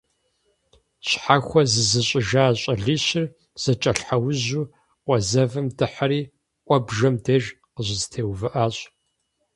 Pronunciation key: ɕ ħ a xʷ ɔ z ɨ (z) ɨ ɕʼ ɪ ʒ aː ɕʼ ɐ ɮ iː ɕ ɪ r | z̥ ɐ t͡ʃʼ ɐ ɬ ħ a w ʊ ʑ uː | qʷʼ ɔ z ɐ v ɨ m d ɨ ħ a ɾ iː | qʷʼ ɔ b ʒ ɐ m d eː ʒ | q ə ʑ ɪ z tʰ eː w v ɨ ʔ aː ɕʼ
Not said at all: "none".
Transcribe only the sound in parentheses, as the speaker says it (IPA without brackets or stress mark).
z